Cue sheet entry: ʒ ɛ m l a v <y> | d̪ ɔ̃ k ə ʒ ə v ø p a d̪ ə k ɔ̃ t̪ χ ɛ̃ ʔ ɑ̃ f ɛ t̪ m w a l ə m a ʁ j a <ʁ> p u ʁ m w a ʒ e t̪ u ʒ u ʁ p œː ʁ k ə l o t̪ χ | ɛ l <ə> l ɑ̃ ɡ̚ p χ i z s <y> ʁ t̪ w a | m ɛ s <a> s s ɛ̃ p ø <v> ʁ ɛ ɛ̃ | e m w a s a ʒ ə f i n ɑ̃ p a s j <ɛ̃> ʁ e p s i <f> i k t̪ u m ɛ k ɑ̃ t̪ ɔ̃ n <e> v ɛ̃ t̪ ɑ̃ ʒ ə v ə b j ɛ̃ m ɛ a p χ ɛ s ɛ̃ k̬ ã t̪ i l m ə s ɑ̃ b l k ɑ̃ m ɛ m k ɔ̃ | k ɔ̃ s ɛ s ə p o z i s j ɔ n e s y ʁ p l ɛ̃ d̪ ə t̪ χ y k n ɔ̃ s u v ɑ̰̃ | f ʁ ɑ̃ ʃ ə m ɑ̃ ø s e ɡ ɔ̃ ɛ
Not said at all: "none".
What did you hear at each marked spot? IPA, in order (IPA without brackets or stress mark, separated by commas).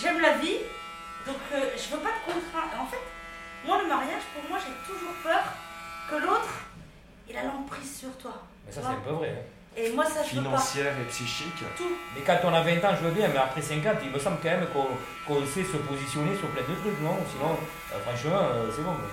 i, ʒ, a, y, a, v, ɛ, ʃ, a